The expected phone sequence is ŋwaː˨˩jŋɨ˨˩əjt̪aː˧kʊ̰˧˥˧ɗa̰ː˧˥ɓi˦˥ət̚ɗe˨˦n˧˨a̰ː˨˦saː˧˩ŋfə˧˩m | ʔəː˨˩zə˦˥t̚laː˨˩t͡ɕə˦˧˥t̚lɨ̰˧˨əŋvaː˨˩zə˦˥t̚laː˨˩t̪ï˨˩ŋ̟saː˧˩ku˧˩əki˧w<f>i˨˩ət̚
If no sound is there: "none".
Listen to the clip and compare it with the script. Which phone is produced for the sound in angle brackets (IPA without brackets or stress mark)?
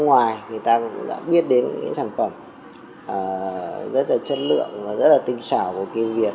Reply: v